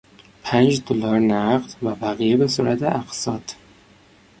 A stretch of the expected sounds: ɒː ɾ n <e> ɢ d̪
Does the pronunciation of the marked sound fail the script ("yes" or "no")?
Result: yes